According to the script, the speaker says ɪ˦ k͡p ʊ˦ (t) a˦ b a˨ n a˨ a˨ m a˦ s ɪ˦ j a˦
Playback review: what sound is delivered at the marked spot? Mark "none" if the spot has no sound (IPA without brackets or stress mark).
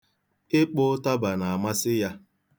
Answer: t